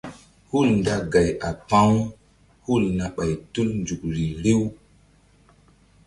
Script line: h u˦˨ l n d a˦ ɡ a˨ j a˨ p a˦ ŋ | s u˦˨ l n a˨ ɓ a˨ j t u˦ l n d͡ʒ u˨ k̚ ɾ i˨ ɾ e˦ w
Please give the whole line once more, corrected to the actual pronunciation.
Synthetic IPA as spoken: h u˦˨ l n d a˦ ɡ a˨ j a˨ p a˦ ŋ | h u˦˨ l n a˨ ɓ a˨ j t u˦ l n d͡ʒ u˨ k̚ ɾ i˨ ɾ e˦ w